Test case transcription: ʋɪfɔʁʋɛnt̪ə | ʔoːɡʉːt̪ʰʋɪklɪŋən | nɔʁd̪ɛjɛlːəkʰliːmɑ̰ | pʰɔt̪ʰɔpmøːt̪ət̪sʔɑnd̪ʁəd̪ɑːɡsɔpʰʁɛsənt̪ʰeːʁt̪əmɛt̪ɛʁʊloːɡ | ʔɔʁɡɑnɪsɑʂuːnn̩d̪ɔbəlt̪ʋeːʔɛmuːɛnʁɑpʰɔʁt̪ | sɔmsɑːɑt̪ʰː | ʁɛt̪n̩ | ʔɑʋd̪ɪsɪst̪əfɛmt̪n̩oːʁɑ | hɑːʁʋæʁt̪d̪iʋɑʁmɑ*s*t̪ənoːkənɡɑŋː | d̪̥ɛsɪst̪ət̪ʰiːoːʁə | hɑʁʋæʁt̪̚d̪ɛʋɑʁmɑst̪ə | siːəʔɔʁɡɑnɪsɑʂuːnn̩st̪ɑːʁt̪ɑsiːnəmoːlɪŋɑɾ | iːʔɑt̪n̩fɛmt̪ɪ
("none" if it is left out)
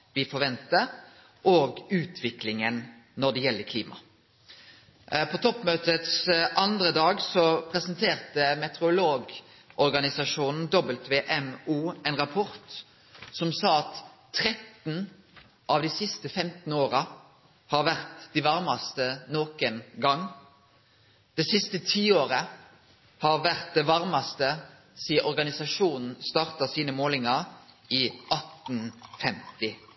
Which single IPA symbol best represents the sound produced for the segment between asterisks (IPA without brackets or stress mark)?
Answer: s